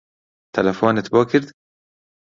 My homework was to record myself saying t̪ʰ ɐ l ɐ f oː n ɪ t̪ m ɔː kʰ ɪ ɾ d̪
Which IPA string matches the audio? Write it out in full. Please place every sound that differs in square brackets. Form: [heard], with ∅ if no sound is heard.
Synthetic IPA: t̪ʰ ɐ l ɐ f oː n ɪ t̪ [b] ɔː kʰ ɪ ɾ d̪